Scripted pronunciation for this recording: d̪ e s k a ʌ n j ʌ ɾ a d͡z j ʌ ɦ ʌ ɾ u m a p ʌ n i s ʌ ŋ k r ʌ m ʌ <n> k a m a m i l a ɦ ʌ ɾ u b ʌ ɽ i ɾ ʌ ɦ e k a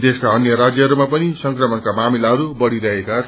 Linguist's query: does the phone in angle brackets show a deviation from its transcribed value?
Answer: no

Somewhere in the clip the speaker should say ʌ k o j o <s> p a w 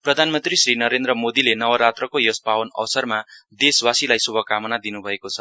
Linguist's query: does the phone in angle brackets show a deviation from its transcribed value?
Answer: no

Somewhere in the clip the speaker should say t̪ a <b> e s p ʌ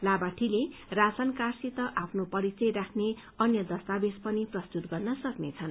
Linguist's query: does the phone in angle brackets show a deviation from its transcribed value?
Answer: no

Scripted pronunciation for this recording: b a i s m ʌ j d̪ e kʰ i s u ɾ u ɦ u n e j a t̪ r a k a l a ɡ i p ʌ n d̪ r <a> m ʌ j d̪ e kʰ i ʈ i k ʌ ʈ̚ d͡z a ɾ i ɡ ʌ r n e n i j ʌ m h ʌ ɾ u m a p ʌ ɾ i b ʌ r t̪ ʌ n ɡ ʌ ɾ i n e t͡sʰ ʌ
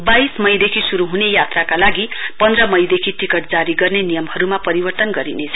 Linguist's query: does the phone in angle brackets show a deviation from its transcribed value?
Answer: yes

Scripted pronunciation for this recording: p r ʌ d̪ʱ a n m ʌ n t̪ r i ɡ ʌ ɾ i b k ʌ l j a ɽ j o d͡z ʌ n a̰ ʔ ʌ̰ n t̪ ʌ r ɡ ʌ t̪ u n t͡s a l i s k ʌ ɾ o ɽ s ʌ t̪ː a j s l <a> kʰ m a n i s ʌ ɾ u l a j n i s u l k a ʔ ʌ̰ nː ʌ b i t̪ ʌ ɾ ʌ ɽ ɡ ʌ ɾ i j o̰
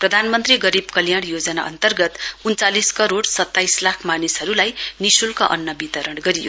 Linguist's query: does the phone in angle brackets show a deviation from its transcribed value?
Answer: no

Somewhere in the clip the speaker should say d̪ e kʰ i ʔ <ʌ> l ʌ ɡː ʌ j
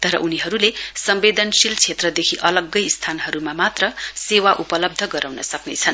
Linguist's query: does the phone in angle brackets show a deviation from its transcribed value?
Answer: no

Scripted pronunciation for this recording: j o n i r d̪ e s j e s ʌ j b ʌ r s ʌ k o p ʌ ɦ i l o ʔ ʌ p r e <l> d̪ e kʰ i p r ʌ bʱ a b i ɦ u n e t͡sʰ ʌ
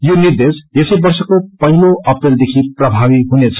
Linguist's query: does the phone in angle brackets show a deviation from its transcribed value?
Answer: no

